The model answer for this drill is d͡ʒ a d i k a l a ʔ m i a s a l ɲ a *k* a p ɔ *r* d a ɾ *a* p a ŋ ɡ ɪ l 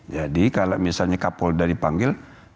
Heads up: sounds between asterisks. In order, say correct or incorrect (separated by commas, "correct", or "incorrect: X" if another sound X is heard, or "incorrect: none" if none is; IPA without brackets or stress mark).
correct, incorrect: l, incorrect: i